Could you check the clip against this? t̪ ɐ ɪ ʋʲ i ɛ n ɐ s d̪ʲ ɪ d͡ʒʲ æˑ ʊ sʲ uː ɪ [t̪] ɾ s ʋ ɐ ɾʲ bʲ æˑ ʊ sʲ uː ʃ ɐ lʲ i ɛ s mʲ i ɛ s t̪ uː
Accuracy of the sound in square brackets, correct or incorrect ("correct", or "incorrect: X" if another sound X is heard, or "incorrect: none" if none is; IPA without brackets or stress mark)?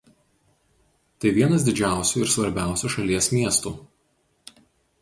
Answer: incorrect: none